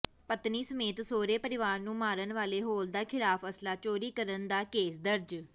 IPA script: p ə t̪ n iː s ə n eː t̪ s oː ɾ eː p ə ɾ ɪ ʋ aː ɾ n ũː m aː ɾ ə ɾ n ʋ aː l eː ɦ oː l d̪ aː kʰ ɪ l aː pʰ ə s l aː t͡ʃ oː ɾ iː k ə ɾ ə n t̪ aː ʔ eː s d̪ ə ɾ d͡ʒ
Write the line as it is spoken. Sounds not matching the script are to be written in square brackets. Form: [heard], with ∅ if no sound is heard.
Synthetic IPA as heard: p ə t̪ n iː s ə [m] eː t̪ s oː ɾ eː p ə ɾ ɪ ʋ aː ɾ n ũː m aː ɾ ə [∅] n ʋ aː l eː ɦ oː l d̪ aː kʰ ɪ l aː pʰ ə s l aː t͡ʃ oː ɾ iː k ə ɾ ə n [d̪] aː [k] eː s d̪ ə ɾ d͡ʒ